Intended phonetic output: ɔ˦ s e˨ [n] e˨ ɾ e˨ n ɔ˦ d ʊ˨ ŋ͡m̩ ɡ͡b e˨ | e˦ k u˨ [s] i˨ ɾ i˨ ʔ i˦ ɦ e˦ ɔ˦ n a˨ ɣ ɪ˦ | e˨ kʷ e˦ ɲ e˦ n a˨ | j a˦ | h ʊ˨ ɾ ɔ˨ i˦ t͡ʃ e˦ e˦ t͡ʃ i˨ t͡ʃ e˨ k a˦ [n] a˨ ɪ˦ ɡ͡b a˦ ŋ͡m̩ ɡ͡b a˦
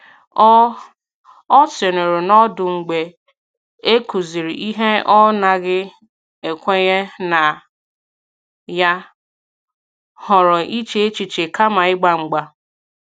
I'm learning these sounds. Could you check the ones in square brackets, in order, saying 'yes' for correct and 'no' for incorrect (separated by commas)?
yes, no, no